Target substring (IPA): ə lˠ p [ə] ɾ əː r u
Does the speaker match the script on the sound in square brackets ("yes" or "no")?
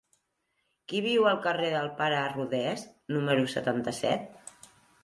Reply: no